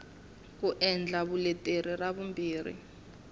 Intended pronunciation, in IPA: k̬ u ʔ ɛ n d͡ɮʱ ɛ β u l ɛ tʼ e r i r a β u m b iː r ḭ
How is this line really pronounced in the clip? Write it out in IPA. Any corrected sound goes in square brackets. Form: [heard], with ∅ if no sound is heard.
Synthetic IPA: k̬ u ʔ ɛ n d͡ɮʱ [a] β u l ɛ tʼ e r i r a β u m b iː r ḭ